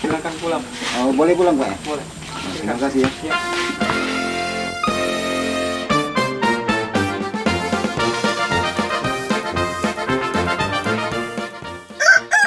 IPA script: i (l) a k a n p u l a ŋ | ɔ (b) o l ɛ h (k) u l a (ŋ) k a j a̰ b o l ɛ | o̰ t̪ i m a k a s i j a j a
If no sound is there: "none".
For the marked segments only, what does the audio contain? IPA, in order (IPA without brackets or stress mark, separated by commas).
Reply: l, b, p, ŋ